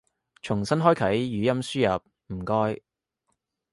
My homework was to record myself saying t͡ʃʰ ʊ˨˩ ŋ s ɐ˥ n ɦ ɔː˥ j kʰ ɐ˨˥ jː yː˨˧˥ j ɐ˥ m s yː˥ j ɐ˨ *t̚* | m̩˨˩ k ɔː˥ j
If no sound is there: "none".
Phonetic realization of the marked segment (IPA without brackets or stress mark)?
p̚